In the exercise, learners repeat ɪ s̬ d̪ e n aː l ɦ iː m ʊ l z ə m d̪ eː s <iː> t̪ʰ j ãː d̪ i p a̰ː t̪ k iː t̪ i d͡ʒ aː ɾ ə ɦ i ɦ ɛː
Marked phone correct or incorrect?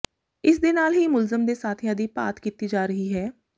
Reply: incorrect